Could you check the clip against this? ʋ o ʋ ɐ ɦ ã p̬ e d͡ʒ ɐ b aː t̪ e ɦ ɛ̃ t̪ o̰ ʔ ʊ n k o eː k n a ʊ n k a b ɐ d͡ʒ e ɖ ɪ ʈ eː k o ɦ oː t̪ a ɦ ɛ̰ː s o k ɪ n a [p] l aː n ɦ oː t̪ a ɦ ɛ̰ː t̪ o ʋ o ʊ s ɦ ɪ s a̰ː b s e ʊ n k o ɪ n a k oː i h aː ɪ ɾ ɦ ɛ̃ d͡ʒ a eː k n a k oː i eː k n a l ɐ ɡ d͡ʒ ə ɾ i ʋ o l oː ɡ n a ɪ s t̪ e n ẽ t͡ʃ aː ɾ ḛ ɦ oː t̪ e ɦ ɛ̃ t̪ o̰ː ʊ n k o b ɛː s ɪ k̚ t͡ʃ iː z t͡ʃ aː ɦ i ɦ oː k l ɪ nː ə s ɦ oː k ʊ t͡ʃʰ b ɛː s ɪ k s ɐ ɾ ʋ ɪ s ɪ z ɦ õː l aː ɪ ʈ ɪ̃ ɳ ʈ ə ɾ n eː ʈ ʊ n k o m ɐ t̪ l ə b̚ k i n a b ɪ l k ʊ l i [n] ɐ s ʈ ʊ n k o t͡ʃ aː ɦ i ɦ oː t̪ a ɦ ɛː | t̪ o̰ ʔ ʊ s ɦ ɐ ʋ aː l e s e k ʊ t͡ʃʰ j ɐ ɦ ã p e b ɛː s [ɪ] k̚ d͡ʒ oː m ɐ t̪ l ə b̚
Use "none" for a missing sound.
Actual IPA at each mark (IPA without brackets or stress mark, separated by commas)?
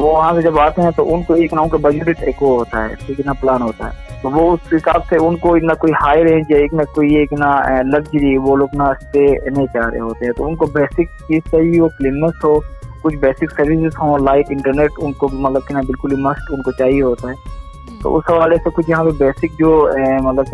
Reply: p, m, ɪ